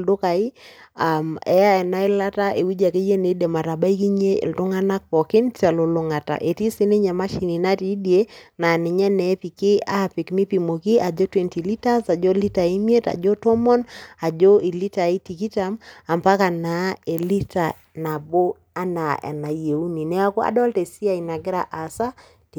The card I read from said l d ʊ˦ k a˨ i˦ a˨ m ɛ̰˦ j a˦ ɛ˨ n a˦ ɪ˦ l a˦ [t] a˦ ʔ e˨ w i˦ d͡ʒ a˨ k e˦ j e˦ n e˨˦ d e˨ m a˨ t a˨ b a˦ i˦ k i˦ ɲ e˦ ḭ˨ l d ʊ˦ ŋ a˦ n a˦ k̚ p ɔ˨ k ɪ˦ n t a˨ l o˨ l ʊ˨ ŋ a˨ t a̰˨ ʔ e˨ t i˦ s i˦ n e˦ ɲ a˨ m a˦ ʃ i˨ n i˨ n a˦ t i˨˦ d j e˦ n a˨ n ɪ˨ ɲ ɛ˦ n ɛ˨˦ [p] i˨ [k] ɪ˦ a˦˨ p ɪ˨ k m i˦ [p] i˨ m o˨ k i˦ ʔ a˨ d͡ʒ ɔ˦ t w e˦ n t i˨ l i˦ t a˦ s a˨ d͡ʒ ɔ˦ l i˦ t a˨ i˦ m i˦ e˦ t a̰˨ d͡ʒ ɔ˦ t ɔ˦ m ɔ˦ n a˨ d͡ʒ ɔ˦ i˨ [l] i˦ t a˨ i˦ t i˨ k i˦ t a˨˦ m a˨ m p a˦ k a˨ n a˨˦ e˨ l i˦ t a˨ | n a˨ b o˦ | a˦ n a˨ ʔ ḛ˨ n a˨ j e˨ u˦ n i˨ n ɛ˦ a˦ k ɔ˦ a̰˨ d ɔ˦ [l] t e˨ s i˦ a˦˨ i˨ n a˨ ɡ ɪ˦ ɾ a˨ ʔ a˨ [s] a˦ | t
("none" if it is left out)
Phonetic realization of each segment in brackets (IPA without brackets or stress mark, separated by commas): t, p, k, p, l, l, s